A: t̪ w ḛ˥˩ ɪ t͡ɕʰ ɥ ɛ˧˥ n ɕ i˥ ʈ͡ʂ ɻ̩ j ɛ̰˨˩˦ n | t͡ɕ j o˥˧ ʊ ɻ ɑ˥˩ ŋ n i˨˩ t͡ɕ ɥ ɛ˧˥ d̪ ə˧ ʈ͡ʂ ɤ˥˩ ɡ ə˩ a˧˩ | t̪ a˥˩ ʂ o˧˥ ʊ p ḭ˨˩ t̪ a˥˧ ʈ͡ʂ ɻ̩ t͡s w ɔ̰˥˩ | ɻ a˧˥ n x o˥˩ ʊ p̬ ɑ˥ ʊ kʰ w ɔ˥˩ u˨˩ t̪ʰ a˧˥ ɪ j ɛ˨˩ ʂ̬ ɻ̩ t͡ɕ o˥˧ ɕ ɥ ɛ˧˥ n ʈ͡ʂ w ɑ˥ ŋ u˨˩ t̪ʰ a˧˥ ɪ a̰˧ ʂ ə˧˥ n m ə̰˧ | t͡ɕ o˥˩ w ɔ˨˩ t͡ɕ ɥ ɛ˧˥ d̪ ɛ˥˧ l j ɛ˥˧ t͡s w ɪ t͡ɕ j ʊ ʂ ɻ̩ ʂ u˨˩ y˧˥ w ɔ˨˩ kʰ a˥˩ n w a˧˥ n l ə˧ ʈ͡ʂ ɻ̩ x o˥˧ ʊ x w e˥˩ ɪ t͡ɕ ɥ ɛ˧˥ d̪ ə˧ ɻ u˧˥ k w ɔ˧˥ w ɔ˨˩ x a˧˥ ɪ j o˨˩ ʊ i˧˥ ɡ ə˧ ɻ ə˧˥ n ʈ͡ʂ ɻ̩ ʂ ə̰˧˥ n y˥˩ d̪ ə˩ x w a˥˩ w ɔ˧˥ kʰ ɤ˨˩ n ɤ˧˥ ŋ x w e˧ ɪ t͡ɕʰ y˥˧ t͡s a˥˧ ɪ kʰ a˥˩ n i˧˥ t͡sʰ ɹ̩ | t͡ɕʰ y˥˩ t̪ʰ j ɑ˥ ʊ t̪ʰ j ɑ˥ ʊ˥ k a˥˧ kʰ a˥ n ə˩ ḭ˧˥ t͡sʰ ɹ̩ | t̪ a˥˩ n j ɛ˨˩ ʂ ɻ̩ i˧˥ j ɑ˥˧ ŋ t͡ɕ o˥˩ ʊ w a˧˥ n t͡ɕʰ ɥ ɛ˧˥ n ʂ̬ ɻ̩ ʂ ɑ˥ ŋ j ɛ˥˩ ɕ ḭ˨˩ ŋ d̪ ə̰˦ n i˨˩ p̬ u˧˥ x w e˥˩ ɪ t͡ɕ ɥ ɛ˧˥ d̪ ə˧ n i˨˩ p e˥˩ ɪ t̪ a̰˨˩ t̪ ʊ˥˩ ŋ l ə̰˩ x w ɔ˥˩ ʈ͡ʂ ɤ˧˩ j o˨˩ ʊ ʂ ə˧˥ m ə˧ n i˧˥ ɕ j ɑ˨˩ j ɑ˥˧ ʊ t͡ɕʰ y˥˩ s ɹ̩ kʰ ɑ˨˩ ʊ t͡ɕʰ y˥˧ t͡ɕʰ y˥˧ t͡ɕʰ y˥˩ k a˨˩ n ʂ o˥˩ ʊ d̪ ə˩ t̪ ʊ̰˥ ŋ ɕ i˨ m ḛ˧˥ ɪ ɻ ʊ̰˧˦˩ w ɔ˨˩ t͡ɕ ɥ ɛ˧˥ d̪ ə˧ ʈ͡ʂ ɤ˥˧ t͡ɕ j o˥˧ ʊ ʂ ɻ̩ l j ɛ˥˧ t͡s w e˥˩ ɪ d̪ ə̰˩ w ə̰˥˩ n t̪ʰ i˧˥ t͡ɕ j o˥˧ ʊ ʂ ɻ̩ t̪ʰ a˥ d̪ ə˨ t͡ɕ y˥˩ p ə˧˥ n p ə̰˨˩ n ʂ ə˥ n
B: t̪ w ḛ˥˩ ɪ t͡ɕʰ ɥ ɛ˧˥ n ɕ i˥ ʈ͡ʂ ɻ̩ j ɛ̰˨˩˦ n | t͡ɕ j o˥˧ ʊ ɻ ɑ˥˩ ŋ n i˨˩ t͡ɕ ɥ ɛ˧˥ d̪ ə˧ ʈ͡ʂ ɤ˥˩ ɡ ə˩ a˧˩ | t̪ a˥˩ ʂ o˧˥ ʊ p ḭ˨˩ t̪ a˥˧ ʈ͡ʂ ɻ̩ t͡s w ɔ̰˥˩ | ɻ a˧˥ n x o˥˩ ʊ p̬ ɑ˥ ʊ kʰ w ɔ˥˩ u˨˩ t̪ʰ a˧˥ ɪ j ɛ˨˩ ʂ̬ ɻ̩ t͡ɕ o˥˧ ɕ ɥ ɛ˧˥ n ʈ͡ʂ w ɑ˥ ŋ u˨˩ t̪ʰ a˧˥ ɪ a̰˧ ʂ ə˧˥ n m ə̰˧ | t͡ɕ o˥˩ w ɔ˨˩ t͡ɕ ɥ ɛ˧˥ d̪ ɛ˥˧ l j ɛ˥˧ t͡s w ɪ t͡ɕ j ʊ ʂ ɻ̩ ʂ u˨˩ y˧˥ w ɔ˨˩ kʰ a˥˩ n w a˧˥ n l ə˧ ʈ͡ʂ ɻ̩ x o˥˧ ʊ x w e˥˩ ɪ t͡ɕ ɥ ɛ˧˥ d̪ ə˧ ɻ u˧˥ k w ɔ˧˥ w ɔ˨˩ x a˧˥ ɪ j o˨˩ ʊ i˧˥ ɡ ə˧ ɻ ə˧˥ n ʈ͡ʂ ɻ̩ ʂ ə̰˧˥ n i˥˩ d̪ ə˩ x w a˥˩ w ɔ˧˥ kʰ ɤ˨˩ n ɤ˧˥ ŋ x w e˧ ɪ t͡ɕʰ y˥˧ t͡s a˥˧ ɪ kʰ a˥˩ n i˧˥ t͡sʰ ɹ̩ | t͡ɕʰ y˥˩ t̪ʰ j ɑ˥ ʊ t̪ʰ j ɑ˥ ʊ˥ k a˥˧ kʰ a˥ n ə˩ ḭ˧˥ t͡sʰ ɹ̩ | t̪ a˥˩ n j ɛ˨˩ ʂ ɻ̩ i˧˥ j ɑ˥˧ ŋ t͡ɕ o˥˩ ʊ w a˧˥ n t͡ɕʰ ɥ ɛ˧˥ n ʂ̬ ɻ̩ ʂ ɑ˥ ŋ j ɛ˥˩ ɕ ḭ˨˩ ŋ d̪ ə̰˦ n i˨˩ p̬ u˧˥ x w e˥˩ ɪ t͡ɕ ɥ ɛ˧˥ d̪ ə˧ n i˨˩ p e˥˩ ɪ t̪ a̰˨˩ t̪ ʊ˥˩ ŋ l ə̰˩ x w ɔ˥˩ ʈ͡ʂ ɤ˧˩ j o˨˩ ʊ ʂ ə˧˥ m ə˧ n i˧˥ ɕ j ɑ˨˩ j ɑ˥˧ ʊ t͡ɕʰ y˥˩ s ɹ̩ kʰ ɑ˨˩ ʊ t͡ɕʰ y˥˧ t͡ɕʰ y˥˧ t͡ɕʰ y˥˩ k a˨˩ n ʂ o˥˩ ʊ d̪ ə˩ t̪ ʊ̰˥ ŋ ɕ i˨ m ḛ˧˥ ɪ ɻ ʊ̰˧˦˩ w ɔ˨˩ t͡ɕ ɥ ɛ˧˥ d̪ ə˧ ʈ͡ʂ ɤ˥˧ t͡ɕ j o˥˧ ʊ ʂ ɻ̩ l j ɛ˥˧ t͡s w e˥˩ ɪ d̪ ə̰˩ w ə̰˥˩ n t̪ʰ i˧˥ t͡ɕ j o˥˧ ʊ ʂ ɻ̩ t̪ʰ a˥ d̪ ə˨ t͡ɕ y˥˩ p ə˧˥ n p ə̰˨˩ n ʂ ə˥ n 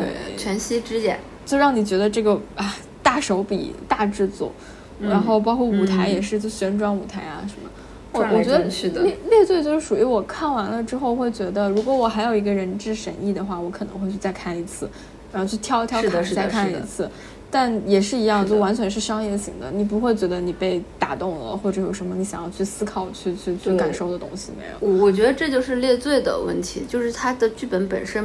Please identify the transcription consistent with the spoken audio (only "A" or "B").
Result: B